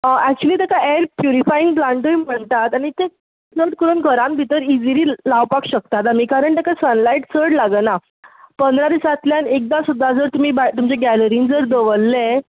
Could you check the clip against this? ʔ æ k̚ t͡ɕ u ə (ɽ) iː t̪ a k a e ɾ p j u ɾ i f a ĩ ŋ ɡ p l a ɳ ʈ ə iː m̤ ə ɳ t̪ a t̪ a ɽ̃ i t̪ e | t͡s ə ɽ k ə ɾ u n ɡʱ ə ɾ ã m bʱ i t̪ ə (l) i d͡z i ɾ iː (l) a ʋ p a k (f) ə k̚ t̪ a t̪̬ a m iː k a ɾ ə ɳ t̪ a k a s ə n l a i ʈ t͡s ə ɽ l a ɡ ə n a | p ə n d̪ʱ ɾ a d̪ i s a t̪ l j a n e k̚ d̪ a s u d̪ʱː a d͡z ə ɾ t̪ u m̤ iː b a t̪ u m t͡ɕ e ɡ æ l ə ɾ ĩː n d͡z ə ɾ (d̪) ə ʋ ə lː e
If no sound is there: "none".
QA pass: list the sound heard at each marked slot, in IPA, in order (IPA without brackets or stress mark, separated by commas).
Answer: l, ɾ, l, ɕ, d̪